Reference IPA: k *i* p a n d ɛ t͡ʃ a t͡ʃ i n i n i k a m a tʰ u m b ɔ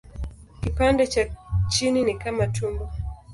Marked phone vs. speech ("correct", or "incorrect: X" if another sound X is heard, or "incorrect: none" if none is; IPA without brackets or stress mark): correct